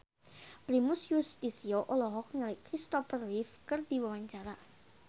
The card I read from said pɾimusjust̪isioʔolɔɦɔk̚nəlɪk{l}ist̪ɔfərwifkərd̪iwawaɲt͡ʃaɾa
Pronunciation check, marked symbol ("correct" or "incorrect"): incorrect